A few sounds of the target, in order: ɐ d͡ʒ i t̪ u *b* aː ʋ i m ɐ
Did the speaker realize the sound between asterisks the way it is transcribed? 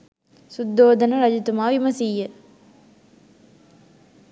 no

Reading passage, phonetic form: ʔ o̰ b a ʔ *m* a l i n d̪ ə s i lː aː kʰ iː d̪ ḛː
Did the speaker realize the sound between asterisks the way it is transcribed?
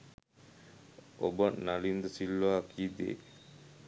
no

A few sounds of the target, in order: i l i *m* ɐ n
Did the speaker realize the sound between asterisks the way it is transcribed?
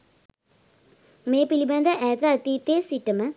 no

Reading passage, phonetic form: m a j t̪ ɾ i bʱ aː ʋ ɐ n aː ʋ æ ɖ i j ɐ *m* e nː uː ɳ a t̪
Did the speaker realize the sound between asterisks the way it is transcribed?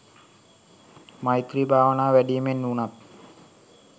yes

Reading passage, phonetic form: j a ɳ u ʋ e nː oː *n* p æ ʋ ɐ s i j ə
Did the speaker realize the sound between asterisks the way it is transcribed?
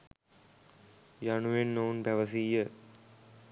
yes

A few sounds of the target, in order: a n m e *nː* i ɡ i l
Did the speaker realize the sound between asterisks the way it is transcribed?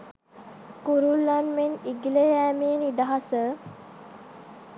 no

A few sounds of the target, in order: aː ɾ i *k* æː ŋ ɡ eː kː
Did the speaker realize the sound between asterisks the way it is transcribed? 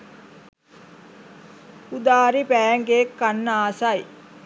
no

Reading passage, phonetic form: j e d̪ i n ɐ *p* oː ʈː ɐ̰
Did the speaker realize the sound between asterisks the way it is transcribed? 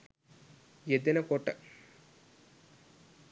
no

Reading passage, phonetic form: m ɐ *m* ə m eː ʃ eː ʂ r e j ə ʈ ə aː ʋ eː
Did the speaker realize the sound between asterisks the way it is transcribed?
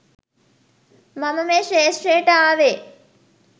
yes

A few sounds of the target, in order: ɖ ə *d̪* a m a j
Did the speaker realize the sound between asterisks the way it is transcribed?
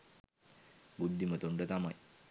no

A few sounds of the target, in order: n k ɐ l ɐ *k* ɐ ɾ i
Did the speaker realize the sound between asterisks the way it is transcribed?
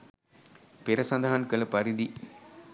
no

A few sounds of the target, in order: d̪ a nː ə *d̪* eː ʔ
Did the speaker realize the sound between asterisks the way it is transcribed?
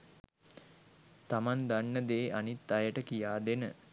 yes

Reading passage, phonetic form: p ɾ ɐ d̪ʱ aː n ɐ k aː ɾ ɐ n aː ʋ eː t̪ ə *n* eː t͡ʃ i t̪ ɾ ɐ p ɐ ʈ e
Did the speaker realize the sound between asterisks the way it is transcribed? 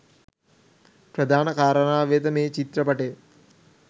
no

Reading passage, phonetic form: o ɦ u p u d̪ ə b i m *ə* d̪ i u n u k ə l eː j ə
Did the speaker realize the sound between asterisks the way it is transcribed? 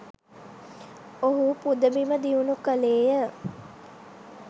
yes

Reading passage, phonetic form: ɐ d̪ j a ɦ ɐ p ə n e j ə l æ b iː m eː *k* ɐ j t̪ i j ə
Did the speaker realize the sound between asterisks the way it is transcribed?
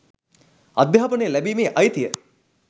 no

